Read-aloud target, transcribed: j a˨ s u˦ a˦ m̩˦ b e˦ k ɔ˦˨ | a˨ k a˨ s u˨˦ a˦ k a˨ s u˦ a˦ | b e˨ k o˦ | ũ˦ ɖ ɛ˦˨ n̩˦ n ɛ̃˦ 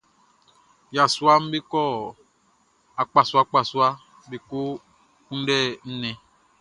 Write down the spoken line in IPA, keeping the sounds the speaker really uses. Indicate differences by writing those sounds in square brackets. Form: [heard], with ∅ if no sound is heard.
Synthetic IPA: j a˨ s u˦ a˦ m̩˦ b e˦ k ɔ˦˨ | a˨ [k͡p] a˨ s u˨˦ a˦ [k͡p] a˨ s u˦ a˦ | b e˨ k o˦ | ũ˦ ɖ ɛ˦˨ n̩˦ n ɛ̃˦